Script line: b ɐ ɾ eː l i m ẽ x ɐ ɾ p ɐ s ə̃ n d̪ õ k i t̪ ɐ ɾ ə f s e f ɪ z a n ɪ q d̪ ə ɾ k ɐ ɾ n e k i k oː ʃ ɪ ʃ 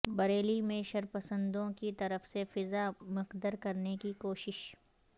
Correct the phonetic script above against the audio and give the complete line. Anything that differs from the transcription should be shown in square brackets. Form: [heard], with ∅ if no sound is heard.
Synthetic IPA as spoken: b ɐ ɾ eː l i m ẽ [ʃ] ɐ ɾ p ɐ s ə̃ n d̪ õ k i t̪ ɐ ɾ ə f s e f ɪ z a [m] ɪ q d̪ ə ɾ k ɐ ɾ n e k i k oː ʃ ɪ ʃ